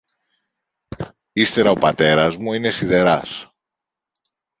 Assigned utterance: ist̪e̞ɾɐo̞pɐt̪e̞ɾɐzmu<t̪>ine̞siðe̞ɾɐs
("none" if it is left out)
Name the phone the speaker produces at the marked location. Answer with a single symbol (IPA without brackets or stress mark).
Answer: none